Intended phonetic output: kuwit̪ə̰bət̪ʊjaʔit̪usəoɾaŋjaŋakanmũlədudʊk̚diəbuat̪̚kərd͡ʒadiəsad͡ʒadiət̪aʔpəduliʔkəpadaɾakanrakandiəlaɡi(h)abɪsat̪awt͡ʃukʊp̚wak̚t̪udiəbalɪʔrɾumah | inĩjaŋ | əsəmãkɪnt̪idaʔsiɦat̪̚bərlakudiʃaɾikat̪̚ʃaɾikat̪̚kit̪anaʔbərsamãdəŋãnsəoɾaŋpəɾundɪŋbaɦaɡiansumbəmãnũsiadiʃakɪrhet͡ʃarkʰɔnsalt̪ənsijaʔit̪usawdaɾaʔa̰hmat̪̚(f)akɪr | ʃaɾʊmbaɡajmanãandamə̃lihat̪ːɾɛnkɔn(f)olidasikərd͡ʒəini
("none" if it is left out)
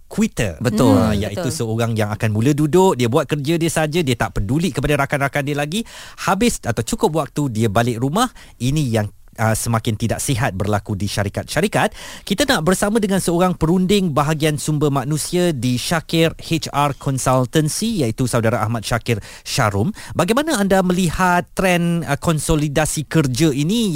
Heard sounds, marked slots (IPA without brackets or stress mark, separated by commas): h, ʃ, s